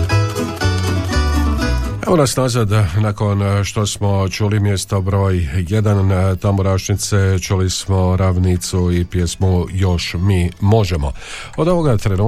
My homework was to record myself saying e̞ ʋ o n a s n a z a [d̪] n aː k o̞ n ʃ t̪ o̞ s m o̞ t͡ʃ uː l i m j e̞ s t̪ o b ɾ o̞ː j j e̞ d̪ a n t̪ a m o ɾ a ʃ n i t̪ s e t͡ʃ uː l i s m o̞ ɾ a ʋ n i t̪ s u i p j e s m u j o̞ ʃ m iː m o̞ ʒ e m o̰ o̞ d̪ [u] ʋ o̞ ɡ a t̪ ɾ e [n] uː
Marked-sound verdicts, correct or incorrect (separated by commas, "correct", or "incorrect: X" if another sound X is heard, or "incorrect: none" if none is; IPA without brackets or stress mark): correct, incorrect: o, correct